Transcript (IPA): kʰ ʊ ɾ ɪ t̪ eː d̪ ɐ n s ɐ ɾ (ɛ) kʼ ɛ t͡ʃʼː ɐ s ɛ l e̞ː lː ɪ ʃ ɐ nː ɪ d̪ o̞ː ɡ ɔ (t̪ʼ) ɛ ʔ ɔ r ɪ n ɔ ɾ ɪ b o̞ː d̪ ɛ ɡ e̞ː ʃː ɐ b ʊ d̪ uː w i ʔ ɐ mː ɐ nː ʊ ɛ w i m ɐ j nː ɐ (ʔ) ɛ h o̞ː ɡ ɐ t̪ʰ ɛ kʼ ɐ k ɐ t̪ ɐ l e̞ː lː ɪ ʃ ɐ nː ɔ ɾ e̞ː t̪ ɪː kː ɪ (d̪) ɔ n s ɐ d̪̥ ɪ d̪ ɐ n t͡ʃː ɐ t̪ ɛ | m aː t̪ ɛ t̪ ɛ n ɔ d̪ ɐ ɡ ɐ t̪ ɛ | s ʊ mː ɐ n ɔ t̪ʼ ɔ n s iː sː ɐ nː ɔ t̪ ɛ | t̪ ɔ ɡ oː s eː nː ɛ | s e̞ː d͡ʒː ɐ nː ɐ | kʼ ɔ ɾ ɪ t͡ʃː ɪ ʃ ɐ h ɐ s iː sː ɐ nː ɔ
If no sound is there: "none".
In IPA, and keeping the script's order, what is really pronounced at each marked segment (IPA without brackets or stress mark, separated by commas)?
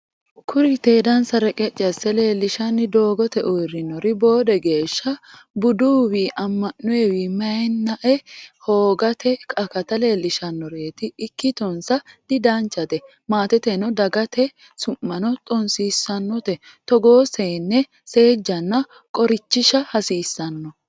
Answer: ɛ, t̪, ʔ, t̪